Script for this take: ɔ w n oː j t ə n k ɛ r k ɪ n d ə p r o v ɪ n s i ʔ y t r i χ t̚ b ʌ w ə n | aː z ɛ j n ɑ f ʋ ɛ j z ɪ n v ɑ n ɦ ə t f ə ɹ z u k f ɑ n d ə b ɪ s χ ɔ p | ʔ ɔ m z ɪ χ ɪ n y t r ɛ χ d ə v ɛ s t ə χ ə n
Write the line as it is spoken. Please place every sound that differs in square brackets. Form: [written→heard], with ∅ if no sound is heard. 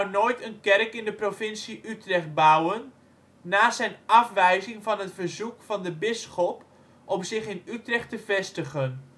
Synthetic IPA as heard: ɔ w n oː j t ə n k ɛ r k ɪ n d ə p r o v ɪ n s i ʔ y t r [i→ɛ] χ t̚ b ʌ w ə [n→nː] | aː z ɛ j n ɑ f ʋ ɛ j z ɪ [n→ŋ] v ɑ n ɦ ə t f ə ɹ z u k f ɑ n d ə b ɪ s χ ɔ p | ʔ ɔ m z ɪ χ ɪ n y t r ɛ χ [d→t] ə v ɛ s t ə χ ə n